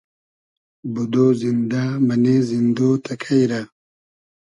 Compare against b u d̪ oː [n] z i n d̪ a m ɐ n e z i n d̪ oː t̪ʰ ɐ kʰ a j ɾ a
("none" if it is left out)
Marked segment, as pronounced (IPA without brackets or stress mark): none